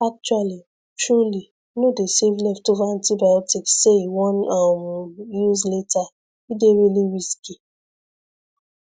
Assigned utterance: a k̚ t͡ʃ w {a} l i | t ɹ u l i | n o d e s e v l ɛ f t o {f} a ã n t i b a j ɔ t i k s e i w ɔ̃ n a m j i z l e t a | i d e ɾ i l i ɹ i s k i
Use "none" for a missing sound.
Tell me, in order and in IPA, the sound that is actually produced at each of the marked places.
a, v

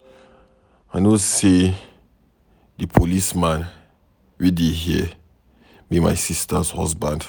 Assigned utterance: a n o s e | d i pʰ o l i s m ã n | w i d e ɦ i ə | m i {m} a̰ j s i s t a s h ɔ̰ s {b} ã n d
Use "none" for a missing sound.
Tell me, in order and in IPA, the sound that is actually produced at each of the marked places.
m, b

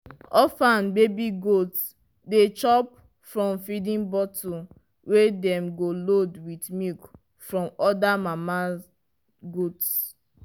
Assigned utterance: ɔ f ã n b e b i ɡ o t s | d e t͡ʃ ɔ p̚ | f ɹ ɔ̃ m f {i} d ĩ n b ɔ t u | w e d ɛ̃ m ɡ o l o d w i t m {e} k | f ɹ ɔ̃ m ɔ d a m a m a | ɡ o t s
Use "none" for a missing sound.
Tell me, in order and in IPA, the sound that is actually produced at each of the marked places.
i, i

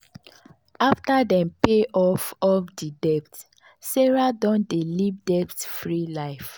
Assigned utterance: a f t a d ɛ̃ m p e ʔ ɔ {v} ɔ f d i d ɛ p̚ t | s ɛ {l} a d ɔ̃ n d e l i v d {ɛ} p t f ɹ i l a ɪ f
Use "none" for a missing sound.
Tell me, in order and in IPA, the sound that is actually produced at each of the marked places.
f, ɹ, ɛ

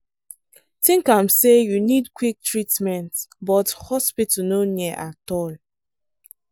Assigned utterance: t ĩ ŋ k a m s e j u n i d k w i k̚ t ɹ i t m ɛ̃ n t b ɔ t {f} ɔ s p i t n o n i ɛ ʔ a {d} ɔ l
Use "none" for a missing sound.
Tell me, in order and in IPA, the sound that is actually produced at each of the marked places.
h, t

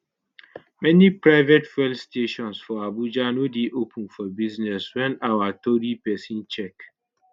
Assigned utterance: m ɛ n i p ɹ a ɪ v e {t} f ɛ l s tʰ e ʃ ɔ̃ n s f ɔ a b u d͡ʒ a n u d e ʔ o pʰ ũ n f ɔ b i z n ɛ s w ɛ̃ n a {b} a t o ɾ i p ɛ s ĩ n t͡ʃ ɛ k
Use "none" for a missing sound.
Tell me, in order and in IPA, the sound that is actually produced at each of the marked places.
t, w

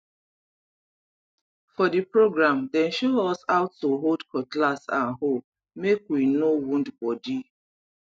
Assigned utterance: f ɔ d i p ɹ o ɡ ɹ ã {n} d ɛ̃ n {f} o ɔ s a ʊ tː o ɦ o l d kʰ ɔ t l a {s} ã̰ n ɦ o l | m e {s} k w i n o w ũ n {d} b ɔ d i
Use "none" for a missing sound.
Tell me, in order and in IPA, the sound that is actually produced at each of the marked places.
m, ʃ, s, none, d

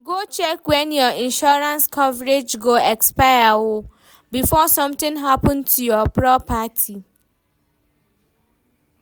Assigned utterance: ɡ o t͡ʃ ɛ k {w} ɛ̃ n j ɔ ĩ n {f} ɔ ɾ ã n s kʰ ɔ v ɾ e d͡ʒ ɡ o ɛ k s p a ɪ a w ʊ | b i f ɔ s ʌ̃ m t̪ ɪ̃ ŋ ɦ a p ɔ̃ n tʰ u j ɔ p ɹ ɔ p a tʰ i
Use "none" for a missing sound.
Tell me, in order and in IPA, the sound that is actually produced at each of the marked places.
w, ʃ

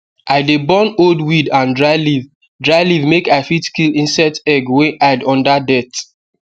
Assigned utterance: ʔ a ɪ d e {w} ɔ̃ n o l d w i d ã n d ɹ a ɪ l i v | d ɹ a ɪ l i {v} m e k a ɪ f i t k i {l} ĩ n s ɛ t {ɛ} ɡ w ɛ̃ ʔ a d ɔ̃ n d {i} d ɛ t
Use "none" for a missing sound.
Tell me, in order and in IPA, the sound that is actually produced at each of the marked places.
b, v, l, ɛ, a

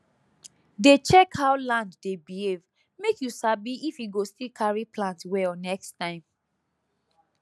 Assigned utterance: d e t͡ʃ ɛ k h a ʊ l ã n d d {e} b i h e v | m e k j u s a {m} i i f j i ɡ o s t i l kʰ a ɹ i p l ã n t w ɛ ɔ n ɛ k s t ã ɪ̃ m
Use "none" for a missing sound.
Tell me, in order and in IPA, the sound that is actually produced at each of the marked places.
e, b

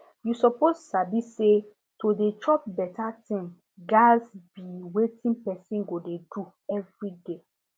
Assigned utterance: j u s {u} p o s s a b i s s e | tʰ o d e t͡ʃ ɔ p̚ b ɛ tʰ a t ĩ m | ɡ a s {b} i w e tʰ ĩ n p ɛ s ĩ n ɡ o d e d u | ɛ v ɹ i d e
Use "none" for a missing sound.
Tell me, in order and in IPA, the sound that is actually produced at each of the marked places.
ɔ, b

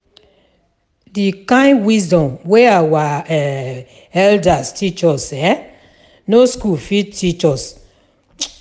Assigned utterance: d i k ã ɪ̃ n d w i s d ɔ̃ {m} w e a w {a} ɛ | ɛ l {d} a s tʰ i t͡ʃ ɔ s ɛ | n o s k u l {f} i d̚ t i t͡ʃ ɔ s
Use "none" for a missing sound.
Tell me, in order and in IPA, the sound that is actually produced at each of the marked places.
m, a, d, f

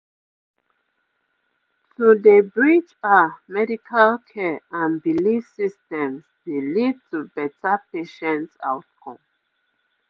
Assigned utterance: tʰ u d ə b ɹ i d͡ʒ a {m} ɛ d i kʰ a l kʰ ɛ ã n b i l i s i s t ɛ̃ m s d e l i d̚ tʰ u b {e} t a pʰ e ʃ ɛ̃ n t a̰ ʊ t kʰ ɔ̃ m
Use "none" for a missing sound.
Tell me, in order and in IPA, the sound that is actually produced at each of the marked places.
m, ɛ

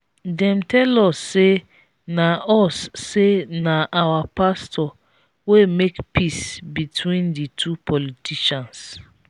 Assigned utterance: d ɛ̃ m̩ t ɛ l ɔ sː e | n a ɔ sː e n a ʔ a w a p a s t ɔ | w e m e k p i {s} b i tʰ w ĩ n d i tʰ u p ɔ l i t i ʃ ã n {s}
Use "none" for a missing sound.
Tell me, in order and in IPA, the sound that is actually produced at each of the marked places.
s, s

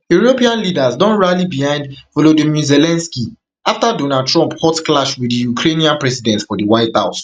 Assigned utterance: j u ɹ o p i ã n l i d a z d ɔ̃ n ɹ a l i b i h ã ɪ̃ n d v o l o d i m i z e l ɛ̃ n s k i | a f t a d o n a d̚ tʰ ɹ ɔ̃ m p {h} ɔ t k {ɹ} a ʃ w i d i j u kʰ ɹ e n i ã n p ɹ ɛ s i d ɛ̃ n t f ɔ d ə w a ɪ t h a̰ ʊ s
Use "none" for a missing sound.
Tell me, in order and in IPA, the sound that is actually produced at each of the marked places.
h, l

